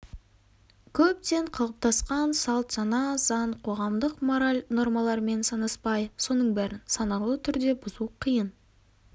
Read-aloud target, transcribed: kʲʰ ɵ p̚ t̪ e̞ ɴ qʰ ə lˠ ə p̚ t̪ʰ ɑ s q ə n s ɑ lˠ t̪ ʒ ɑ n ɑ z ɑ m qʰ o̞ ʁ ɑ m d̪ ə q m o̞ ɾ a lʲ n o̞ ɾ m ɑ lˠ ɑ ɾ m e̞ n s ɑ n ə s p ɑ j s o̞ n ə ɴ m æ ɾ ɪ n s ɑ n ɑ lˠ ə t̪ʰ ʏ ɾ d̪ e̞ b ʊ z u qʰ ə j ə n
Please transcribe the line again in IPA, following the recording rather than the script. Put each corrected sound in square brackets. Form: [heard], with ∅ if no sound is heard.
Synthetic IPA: kʲʰ ɵ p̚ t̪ e̞ ɴ qʰ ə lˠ ə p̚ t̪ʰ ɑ s q [ɑ] n s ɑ lˠ t̪ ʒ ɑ n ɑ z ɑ [ɴ] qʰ o̞ ʁ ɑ m d̪ ə q m o̞ ɾ a lʲ n o̞ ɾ m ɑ lˠ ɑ ɾ m e̞ n s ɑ n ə s p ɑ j s o̞ n ə ɴ [b] æ ɾ ɪ n s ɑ n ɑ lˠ ə t̪ʰ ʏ ɾ d̪ e̞ b ʊ z u qʰ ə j ə n